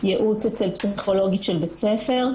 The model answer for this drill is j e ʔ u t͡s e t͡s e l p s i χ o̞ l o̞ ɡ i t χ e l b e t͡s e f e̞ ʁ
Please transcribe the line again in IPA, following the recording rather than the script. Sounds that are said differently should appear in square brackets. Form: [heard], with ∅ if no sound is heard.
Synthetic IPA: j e ʔ u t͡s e t͡s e l p s i χ o̞ l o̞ ɡ i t [ʃ] e l b e t͡s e f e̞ ʁ